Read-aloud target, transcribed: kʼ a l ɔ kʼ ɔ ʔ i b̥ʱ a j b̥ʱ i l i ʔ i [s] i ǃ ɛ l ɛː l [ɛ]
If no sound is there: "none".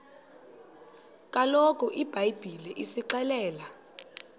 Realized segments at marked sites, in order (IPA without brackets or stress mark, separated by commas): s, a